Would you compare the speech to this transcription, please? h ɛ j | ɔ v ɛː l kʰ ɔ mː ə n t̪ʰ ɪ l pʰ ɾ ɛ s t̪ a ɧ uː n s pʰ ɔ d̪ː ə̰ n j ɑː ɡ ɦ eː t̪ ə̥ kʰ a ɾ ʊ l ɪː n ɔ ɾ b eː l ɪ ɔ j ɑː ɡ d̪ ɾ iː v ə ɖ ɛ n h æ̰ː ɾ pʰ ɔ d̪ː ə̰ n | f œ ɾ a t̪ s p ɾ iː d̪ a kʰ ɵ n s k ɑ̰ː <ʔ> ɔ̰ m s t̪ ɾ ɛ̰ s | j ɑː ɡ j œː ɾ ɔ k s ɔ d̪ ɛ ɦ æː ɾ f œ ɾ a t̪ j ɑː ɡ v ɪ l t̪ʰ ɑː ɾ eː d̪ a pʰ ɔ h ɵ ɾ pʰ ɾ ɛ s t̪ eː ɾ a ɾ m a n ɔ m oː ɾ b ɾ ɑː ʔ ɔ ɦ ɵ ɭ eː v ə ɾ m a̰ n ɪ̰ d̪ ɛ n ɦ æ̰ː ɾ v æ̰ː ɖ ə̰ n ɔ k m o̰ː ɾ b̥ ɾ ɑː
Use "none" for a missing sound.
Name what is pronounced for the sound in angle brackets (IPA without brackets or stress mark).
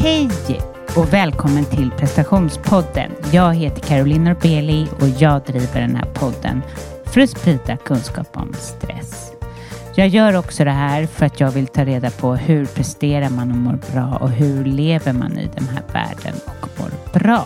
p